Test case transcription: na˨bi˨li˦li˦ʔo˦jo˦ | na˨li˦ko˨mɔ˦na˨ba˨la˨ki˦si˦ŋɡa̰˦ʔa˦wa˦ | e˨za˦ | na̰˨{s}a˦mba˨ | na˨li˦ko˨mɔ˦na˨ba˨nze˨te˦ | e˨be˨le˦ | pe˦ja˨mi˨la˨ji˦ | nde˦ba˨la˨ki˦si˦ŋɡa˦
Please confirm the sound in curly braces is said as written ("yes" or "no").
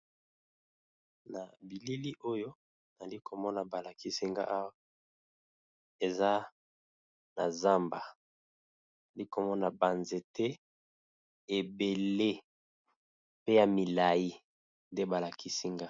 no